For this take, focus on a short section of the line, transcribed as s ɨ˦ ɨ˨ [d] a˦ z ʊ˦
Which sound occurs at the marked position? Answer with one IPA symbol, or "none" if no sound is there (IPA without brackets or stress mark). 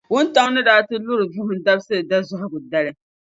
d